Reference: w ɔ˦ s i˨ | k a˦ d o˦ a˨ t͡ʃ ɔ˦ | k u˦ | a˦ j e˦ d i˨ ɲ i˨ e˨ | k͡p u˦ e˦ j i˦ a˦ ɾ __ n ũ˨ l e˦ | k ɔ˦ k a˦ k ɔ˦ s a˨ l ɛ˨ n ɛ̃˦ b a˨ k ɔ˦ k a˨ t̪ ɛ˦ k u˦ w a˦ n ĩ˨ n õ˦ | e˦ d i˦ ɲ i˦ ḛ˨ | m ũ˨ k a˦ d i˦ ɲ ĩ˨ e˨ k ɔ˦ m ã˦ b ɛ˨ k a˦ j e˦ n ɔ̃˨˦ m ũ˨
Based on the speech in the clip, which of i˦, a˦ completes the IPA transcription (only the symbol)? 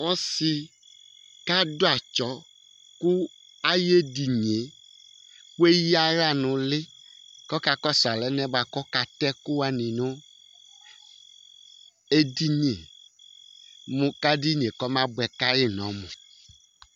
a˦